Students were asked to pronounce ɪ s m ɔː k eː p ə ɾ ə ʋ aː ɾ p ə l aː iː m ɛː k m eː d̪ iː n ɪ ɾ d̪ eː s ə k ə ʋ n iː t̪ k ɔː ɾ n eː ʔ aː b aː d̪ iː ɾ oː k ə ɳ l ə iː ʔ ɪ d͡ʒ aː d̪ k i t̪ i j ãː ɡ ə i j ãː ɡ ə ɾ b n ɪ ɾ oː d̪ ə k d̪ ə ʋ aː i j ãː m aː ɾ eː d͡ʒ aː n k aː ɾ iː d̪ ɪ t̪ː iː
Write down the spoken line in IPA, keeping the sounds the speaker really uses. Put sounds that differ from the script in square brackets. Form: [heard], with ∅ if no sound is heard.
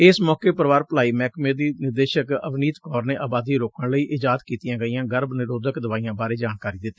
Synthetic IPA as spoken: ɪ s m ɔː k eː p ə ɾ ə ʋ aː ɾ p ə l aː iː m ɛː k m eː d̪ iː n ɪ ɾ d̪ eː [ʃ] ə k ə ʋ n iː t̪ k ɔː ɾ n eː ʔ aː b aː d̪ iː ɾ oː k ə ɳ l ə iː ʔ ɪ d͡ʒ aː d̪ k [iː] t̪ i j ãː ɡ ə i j ãː ɡ ə ɾ b n ɪ ɾ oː d̪ ə k d̪ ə ʋ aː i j ãː [b] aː ɾ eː d͡ʒ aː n k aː ɾ iː d̪ ɪ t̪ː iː